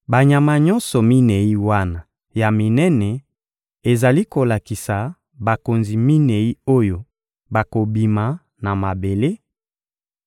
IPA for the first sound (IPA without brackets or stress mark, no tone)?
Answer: b